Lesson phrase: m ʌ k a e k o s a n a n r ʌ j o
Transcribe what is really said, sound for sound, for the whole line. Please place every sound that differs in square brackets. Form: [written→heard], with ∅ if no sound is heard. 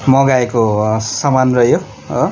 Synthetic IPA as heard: m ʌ [k→ɡ] a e k o s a [n→m] a n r ʌ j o